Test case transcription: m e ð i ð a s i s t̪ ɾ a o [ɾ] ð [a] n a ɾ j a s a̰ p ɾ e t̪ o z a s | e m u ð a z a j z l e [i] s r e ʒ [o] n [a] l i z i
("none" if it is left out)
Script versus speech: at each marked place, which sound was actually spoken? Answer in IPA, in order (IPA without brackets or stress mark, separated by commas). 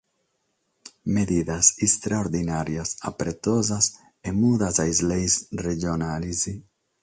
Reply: ɾ, i, j, o, a